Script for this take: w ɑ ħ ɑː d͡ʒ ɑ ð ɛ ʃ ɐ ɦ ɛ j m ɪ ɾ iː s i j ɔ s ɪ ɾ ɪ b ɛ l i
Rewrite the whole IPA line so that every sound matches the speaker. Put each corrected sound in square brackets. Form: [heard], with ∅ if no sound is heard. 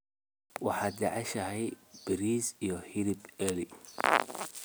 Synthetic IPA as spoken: w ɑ ħ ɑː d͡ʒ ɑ [ʕ] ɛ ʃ ɐ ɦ ɛ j [b] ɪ ɾ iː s i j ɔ [h] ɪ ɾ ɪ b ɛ l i

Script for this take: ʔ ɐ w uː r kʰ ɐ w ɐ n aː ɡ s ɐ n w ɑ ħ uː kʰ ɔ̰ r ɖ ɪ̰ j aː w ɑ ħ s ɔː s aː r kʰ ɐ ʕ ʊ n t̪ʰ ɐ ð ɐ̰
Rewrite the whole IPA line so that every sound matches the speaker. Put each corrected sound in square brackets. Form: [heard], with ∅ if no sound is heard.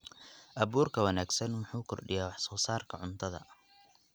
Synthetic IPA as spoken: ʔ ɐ [β] uː r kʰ ɐ w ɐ n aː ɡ s ɐ n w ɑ ħ uː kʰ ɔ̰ r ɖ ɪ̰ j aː w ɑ ħ s ɔː s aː r kʰ ɐ ʕ ʊ n t̪ʰ ɐ ð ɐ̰

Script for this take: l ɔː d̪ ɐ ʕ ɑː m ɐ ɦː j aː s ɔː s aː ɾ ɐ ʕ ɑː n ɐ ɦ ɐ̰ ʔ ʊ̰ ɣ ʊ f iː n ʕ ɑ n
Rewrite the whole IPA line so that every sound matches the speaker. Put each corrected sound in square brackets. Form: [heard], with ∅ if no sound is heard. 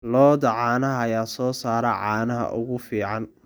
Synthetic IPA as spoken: l ɔː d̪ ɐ ʕ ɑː [n] ɐ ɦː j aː s ɔː s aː ɾ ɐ ʕ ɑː n ɐ ɦ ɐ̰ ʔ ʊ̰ ɣ ʊ f iː [∅] ʕ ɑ n

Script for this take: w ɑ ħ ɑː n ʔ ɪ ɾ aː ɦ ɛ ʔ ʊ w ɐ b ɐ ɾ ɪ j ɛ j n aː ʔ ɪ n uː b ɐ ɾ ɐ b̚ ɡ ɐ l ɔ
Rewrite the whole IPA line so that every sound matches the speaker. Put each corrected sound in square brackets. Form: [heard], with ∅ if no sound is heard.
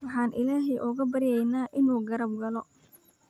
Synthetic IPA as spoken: w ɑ ħ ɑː n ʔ ɪ [l] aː ɦ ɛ ʔ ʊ [ɣ] ɐ b ɐ ɾ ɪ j ɛ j n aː ʔ ɪ n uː [ɡ] ɐ ɾ ɐ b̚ ɡ ɐ l ɔ

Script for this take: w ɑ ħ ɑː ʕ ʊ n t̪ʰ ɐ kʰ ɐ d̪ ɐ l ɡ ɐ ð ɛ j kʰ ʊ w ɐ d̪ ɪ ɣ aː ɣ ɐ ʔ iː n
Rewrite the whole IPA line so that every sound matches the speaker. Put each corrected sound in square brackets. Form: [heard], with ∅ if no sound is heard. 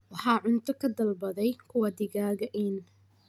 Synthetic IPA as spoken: w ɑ ħ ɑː ʕ ʊ n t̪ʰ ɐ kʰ ɐ d̪ ɐ l [b] ɐ ð ɛ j kʰ ʊ w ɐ d̪ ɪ ɣ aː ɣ ɐ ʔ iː n

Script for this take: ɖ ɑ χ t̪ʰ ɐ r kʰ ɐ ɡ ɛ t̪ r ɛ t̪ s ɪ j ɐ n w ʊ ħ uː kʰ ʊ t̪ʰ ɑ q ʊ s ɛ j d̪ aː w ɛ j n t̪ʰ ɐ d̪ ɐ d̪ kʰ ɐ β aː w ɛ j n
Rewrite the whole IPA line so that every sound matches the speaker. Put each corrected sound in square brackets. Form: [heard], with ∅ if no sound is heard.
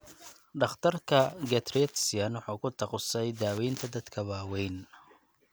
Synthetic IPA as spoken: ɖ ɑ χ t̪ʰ ɐ r kʰ ɐ ɡ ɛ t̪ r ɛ t̪ s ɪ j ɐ n w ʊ ħ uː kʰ ʊ t̪ʰ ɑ q ʊ s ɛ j d̪ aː w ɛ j n t̪ʰ ɐ d̪ ɐ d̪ kʰ ɐ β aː w ɛ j n

